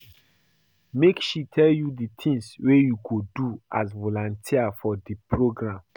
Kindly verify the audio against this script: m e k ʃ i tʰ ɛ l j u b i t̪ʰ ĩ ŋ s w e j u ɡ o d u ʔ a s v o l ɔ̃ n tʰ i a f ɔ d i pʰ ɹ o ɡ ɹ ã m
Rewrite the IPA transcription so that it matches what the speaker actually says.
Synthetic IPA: m e k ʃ i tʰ ɛ l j u d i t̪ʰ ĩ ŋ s w e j u ɡ o d u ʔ a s v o l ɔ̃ n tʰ i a f ɔ d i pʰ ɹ o ɡ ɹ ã m